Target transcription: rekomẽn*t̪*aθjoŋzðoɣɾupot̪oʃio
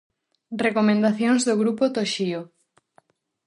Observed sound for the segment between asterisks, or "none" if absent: d̪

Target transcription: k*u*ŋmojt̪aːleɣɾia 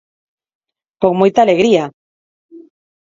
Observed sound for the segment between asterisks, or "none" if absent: o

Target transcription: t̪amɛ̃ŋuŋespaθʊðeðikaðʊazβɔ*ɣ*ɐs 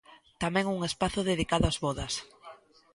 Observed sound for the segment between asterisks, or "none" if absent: ð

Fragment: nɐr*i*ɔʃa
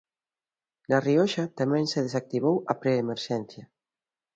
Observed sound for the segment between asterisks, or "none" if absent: i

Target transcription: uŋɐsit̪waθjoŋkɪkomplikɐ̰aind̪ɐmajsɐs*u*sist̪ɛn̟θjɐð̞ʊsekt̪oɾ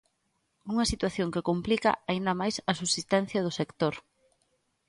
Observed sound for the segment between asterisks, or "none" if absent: u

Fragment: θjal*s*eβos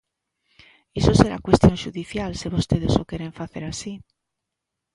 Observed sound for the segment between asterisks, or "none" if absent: s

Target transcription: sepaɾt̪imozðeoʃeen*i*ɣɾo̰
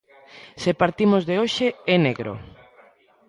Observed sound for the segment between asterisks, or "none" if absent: e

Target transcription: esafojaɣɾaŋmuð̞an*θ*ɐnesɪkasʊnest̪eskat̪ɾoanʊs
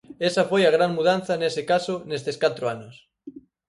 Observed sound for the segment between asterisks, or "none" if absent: θ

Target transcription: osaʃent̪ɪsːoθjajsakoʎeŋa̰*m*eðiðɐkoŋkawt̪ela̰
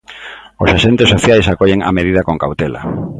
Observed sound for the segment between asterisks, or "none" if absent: m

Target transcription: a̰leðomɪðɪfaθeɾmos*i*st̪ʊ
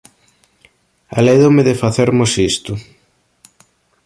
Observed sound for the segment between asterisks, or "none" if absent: i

